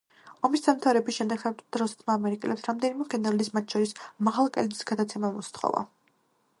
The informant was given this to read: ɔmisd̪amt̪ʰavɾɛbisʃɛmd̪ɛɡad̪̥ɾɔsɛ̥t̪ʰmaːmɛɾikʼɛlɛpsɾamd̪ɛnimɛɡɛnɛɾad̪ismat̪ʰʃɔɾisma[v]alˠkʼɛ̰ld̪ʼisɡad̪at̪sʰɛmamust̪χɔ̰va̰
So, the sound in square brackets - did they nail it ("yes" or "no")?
no